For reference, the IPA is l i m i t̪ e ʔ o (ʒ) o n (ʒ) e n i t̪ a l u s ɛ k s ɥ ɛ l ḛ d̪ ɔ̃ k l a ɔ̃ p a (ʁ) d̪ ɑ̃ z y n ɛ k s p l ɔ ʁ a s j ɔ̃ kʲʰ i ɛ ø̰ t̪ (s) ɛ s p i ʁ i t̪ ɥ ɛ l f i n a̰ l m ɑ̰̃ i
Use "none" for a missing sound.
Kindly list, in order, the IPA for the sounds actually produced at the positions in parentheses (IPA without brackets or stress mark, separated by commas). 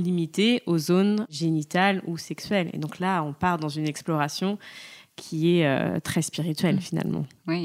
z, ʒ, ʁ, χ